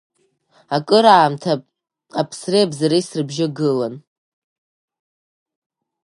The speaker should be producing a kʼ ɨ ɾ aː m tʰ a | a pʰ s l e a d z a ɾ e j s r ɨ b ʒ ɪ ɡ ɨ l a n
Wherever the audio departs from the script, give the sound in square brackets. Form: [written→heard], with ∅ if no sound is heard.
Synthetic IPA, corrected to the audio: a kʼ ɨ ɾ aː m tʰ a | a pʰ s [l→r] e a [d→b] z a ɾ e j s r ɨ b ʒ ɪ ɡ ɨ l a n